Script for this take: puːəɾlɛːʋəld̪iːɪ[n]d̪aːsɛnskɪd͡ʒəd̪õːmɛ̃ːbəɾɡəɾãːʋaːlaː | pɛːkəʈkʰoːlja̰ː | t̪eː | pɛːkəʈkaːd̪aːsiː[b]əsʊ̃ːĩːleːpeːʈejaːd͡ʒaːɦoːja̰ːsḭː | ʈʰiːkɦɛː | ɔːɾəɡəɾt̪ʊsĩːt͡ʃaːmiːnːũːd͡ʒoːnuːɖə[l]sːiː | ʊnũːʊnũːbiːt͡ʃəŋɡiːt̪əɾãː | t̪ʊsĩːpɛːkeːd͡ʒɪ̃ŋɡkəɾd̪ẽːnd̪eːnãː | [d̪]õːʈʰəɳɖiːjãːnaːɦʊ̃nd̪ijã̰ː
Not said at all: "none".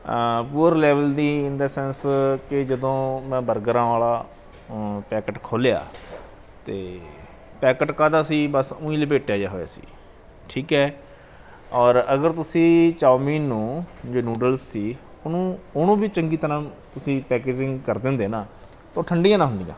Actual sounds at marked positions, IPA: n, b, l, t̪

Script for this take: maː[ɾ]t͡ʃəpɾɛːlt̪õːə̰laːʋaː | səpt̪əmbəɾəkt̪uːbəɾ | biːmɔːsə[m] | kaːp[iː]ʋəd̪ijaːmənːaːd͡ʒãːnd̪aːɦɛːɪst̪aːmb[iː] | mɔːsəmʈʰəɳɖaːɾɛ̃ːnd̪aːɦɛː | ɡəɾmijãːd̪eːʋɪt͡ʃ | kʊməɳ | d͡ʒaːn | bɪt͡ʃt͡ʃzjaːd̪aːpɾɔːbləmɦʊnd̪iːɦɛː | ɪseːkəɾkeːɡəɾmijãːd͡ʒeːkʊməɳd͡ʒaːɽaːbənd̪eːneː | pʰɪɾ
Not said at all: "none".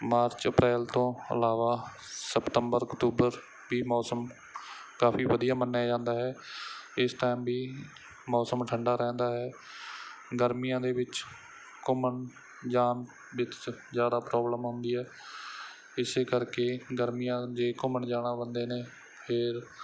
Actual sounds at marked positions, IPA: ɾ, m, iː, iː

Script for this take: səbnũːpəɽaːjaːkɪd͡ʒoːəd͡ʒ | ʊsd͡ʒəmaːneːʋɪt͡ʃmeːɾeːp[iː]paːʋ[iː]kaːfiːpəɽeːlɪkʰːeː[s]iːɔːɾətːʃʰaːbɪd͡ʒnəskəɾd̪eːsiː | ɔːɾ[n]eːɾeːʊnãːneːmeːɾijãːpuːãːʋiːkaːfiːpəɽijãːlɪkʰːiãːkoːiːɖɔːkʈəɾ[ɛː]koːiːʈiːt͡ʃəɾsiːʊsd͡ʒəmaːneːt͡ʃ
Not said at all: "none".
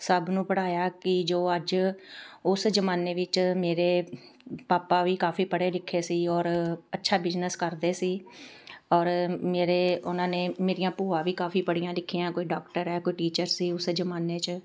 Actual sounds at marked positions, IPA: aː, iː, s, m, ɛː

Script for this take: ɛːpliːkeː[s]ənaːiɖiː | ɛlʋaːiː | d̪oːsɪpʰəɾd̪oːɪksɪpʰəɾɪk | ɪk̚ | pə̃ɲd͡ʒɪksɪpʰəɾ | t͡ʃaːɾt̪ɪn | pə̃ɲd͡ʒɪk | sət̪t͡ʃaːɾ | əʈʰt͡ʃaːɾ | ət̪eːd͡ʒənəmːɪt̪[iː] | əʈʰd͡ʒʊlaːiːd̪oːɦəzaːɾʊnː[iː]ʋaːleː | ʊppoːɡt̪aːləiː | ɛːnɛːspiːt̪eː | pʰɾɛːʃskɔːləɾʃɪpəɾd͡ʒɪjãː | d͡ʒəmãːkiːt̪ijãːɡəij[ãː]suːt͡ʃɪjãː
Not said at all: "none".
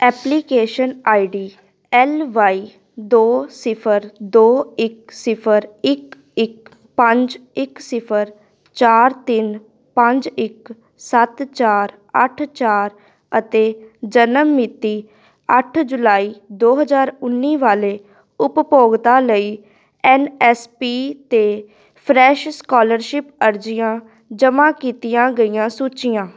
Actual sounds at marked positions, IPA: ʃ, iː, iː, ãː

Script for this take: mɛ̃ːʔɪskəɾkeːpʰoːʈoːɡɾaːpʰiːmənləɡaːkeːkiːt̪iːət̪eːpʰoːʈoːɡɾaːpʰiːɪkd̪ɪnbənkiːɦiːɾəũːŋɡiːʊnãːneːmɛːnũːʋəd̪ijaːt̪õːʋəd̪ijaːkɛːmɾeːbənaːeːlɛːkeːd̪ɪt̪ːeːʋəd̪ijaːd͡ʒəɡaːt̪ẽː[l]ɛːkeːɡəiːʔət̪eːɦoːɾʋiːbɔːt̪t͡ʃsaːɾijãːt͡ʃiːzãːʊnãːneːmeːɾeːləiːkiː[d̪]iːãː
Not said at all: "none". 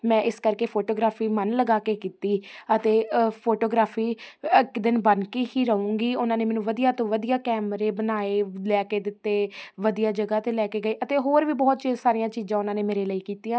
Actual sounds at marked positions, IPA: l, t̪

